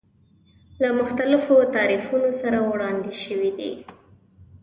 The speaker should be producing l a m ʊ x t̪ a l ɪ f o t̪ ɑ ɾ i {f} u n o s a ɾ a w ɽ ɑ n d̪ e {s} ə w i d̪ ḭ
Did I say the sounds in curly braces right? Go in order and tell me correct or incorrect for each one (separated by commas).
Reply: correct, incorrect